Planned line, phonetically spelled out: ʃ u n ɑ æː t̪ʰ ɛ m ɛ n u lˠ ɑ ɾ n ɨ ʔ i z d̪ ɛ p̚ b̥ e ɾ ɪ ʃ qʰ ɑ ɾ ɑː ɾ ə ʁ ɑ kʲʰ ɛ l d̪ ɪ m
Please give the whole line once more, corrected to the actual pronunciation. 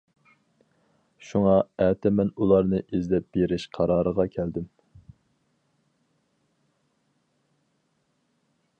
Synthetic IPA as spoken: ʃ u ŋ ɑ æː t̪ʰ ɛ m ɛ n u lˠ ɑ ɾ n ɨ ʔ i z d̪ ɛ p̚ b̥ e ɾ ɪ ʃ qʰ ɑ ɾ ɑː ɾ ə ʁ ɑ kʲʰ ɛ l d̪ ɪ m